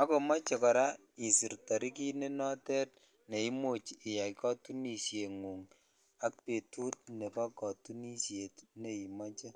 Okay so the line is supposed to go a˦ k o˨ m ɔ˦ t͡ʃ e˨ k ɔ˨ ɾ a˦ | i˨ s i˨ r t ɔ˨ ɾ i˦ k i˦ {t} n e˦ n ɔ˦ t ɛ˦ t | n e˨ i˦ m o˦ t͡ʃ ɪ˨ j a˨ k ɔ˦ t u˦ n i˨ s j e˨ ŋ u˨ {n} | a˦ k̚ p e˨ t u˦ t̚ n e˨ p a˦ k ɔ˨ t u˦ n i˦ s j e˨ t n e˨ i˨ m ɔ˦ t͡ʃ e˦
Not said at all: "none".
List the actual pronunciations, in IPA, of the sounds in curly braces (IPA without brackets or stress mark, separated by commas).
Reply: none, ŋ